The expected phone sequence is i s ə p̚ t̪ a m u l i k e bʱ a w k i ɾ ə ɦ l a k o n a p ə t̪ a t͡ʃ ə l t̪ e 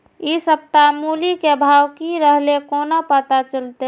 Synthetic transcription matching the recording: i s ə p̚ t̪ a m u l i k e bʱ a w k i ɾ ə ɦ l e k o n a p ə t̪ a t͡ʃ ə l t̪ e